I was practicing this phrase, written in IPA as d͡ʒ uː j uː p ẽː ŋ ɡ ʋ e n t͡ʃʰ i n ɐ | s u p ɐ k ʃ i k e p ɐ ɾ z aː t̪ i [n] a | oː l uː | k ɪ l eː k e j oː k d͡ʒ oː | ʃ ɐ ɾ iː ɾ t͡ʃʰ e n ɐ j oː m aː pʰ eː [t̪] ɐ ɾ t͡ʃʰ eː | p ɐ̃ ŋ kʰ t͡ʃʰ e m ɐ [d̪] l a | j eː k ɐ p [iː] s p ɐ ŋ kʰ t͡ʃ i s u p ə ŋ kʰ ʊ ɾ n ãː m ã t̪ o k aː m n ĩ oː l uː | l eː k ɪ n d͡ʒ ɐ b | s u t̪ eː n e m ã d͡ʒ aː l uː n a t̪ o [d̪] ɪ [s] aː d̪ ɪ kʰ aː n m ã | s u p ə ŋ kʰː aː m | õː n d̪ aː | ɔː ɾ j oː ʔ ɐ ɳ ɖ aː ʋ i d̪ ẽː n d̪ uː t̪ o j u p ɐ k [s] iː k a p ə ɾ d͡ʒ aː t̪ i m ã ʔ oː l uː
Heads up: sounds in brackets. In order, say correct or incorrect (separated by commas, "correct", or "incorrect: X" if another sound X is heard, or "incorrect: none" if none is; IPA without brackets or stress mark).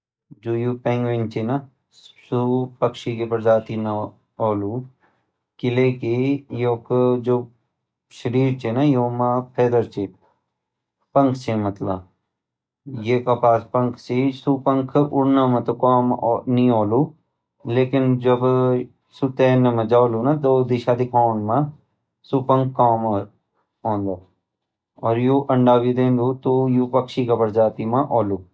correct, incorrect: d̪, incorrect: t̪, incorrect: aː, correct, incorrect: ʃ, incorrect: ʃ